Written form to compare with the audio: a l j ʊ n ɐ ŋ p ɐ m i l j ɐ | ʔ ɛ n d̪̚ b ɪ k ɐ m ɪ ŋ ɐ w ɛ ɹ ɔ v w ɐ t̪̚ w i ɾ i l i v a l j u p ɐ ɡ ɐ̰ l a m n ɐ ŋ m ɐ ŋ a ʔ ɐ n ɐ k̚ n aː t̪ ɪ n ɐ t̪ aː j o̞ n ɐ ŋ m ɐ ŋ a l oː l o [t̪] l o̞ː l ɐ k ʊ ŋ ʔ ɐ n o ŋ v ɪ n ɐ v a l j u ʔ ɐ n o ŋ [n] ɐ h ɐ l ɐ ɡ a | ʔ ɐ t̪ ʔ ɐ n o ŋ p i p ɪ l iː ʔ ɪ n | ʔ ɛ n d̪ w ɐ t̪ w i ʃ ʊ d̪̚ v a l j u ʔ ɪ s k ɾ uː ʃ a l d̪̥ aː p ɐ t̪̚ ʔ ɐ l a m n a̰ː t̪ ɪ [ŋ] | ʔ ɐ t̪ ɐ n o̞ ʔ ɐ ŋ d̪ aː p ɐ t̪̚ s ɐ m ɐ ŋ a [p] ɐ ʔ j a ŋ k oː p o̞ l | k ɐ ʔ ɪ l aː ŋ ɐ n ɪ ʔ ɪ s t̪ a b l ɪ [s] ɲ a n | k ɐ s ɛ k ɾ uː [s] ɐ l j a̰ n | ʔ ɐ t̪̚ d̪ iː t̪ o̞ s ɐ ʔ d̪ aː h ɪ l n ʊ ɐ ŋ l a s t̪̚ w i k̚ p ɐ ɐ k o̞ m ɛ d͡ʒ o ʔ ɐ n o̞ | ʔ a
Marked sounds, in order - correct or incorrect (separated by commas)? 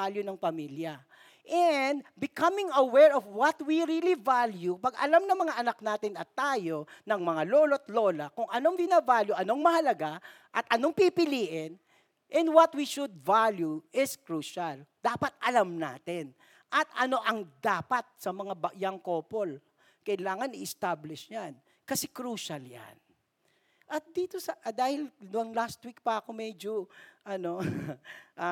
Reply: correct, incorrect, incorrect, incorrect, incorrect, incorrect